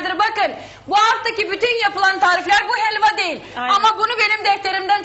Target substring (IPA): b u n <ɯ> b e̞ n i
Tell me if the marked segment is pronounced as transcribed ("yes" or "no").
no